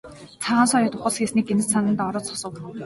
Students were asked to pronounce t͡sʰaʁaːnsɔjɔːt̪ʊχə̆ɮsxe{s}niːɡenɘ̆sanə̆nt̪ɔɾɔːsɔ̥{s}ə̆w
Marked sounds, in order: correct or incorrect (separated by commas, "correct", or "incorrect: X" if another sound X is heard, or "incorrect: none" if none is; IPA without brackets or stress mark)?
correct, correct